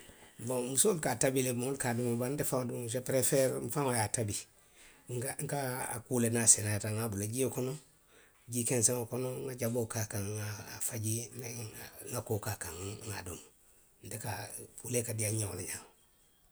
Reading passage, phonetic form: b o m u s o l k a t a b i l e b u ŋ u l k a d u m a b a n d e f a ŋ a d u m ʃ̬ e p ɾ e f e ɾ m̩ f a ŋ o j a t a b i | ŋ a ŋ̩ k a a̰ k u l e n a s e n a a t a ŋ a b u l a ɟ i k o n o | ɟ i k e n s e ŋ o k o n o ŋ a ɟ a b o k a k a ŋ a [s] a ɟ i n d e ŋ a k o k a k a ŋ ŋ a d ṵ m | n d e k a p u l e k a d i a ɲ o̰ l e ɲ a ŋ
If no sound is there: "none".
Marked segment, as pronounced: f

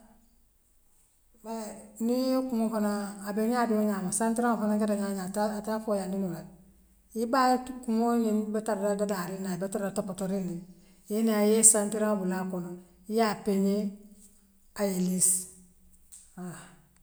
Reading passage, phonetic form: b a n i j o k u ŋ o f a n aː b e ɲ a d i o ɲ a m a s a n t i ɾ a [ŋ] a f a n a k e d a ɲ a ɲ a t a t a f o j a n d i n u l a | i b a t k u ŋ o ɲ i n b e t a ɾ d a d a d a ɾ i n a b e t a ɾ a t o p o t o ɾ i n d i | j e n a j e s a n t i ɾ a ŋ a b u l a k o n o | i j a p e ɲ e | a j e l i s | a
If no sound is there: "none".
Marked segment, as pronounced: ŋ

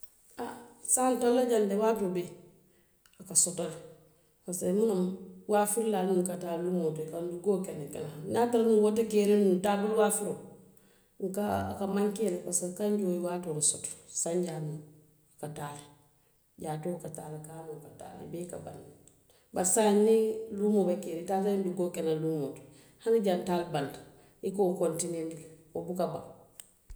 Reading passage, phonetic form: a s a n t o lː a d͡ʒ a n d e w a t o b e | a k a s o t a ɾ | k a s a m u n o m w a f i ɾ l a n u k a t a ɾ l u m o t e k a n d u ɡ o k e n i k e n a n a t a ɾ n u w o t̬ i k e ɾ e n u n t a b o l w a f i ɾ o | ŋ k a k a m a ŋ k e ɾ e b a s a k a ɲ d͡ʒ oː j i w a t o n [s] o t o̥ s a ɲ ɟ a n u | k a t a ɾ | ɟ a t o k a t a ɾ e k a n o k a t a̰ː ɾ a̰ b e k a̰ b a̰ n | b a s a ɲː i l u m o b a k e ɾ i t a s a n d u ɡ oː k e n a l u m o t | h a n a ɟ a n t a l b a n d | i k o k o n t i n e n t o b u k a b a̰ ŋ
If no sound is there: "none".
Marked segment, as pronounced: s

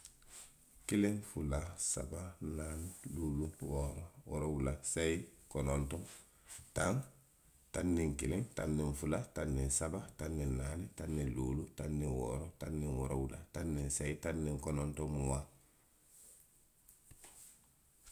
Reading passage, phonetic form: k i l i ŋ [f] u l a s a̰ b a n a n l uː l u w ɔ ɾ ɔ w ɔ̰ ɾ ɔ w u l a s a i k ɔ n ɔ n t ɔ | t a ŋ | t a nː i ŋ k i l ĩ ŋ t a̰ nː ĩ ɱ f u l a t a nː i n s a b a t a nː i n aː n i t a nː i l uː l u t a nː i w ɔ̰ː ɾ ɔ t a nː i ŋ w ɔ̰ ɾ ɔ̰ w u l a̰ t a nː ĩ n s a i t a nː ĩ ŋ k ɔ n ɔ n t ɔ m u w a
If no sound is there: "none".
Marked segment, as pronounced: f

